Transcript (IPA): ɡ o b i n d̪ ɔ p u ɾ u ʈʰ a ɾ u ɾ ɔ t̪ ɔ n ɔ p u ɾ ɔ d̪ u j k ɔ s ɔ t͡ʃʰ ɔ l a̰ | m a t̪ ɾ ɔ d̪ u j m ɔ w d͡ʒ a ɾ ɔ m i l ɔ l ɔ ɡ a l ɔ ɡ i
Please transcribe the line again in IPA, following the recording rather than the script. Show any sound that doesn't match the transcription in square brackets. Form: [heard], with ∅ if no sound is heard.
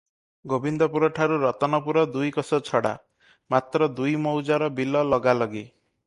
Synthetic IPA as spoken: ɡ o b i n d̪ ɔ p u ɾ [ɔ] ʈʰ a ɾ u ɾ ɔ t̪ ɔ n ɔ p u ɾ ɔ d̪ u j k ɔ s ɔ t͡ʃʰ ɔ [ɽ] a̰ | m a t̪ ɾ ɔ d̪ u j m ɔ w d͡ʒ a ɾ ɔ [b] i l ɔ l ɔ ɡ a l ɔ ɡ i